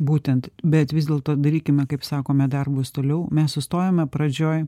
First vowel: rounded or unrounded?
rounded